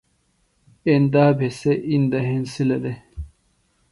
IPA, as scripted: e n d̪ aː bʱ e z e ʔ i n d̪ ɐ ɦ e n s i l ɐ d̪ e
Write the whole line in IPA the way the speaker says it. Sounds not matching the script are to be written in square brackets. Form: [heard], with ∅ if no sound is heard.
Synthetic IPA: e n d̪ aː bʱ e [s] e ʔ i n d̪ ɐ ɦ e n s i l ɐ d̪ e